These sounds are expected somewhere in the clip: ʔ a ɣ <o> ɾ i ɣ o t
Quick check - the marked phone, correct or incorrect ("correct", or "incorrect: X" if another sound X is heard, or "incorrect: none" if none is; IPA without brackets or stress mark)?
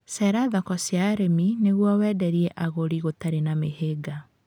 correct